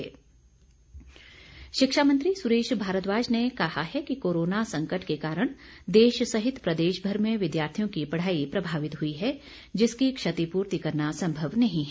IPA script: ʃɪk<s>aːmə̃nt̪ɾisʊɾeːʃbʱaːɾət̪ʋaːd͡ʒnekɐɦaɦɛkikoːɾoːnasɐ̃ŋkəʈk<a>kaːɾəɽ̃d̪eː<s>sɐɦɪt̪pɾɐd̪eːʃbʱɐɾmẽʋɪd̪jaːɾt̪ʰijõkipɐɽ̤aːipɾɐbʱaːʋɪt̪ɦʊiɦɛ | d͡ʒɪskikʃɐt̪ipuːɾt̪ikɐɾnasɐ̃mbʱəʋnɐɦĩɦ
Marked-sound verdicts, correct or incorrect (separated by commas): incorrect, incorrect, incorrect